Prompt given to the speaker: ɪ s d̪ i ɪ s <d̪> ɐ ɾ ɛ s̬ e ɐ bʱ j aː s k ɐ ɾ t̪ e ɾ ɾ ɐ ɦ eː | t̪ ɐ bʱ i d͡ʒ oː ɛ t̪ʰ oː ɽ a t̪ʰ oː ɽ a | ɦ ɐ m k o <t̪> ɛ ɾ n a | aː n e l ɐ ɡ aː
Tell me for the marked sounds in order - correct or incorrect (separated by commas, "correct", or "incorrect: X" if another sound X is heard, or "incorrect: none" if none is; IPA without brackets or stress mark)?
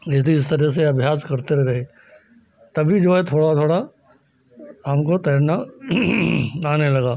incorrect: t̪, correct